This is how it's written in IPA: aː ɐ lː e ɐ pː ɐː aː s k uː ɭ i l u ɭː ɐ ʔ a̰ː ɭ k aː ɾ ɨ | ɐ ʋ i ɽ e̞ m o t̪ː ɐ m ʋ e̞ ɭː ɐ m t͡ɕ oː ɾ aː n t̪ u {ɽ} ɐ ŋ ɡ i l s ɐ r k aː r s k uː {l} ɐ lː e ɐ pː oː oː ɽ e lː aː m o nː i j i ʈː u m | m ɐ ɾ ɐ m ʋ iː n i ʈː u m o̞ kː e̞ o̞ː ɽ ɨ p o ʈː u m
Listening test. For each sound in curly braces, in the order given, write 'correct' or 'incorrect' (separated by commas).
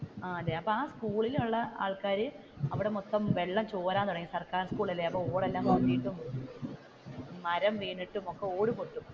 correct, incorrect